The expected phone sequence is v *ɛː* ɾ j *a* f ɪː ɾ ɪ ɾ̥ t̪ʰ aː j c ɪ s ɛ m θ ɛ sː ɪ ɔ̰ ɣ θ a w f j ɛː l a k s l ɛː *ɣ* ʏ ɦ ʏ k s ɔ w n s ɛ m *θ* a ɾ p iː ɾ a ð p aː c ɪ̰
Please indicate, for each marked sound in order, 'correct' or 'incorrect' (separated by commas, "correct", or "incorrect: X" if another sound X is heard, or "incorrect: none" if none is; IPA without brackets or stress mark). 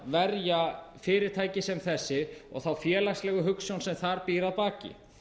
incorrect: ɛ, correct, correct, correct